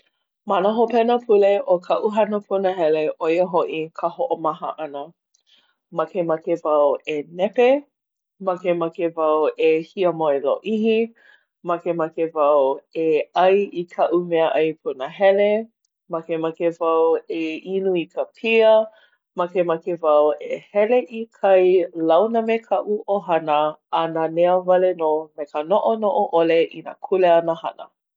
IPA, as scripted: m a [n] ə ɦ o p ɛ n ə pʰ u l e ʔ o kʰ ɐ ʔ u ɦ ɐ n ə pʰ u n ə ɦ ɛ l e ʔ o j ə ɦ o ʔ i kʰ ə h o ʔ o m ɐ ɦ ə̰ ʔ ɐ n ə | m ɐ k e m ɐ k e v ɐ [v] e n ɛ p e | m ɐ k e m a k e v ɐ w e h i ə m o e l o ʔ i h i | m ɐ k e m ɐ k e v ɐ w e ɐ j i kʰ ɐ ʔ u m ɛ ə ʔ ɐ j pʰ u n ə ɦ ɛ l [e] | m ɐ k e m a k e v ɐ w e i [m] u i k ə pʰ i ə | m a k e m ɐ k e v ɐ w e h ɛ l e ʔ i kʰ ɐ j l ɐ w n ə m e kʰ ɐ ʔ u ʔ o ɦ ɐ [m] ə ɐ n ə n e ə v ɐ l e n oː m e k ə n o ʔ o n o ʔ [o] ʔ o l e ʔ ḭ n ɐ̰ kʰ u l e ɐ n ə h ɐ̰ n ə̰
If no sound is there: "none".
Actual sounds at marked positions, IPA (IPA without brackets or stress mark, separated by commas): n, w, e, n, n, o